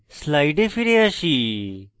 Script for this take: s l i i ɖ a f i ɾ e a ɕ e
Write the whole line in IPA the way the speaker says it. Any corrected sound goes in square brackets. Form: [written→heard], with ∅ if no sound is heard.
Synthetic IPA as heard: s l [i→a] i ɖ [a→e] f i ɾ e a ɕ [e→i]